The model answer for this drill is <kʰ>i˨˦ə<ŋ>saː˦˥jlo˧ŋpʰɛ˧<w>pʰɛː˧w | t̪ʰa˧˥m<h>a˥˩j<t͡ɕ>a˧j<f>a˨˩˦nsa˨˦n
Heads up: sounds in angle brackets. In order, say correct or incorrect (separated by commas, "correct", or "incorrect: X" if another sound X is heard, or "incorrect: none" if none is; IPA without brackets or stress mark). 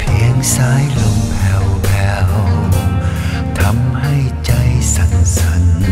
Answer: incorrect: pʰ, correct, correct, correct, correct, incorrect: s